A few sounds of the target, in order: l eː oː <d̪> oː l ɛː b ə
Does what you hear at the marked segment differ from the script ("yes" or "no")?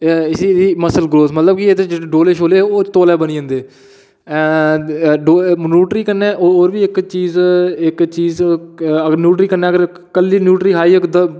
yes